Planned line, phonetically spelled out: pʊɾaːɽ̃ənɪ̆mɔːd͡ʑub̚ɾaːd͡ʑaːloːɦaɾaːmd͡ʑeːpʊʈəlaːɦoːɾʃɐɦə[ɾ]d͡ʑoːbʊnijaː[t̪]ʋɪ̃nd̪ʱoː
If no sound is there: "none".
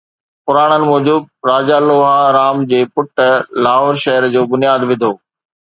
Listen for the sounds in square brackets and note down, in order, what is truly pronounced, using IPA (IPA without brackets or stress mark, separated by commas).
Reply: ɾ, d̪